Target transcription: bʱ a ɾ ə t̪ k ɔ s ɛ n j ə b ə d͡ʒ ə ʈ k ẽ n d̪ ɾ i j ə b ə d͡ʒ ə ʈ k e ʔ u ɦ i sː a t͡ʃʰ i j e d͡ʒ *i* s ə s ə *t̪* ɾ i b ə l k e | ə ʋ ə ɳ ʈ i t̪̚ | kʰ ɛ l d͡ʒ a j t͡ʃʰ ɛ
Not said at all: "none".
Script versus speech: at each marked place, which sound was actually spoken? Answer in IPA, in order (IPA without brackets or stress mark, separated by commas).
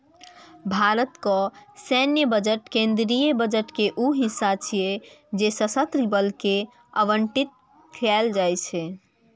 e, t̪